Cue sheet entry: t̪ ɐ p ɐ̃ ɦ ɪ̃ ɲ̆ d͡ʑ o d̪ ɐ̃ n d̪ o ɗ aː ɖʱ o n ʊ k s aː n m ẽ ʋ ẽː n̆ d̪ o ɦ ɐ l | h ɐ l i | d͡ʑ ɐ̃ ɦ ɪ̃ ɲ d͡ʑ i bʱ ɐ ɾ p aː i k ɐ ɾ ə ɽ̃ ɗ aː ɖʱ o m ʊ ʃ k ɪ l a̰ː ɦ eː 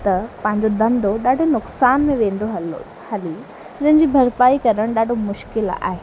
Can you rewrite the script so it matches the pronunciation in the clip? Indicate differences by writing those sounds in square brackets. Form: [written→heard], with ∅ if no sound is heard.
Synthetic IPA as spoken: t̪ ɐ p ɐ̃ ɦ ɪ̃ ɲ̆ d͡ʑ o d̪ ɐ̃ n d̪ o ɗ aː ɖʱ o n ʊ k s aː n m ẽ ʋ ẽː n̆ d̪ o ɦ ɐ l | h ɐ l i | d͡ʑ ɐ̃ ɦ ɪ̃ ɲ d͡ʑ i bʱ ɐ ɾ p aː i k ɐ ɾ ə ɽ̃ ɗ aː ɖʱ o m ʊ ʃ k ɪ l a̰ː ɦ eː